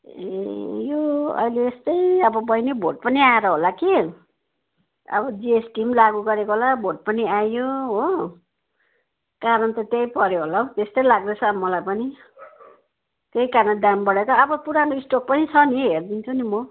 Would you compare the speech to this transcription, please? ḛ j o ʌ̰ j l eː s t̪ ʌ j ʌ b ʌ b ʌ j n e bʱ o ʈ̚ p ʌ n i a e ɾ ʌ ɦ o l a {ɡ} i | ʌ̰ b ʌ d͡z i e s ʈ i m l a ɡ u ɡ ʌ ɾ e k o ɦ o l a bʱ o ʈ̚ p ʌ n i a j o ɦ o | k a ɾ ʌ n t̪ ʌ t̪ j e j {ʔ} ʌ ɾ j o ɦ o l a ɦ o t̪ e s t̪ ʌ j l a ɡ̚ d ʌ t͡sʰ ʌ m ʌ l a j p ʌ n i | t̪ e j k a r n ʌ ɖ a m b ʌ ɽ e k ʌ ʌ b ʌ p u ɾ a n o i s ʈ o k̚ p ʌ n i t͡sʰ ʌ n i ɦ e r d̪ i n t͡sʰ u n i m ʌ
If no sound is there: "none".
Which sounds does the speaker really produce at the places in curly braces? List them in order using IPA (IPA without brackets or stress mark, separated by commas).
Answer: k, p